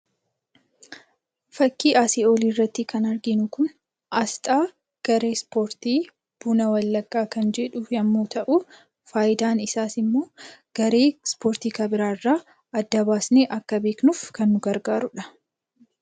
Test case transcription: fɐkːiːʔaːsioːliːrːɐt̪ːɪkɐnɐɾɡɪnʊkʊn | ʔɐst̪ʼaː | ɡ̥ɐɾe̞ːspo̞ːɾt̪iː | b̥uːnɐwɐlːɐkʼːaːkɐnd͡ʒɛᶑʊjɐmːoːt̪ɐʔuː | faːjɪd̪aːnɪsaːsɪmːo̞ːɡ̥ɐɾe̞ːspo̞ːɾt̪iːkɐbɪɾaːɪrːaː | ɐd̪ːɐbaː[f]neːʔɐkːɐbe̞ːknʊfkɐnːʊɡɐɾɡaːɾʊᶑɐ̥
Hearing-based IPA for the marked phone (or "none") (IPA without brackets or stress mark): s